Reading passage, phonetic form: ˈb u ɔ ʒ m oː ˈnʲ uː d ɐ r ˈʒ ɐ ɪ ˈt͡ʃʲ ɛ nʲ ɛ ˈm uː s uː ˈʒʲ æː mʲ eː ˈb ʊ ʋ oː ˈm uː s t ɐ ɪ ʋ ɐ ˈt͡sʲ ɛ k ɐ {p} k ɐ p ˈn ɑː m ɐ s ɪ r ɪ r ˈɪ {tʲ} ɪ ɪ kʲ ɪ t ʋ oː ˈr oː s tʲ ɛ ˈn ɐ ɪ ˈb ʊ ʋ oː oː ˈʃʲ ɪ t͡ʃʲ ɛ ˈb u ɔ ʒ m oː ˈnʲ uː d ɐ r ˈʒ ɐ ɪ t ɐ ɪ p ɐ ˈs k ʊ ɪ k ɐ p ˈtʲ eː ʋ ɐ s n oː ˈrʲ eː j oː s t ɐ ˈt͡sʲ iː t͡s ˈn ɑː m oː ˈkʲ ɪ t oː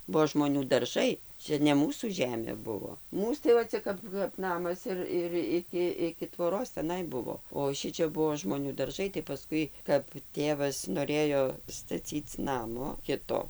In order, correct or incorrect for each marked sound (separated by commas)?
correct, incorrect